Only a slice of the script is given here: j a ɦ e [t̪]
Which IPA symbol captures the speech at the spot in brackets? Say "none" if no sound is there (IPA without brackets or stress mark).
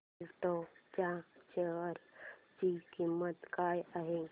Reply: none